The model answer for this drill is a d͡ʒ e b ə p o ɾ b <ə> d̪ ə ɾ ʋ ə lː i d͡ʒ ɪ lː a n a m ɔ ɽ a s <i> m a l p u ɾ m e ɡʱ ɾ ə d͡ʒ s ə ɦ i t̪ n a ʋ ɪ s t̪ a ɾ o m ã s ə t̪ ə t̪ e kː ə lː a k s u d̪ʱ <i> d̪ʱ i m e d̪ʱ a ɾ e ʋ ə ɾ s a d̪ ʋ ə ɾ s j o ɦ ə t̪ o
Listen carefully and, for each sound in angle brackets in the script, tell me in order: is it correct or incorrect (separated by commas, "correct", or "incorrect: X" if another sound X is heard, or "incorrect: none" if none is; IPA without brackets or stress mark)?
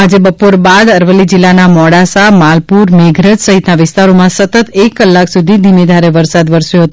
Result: incorrect: a, incorrect: a, correct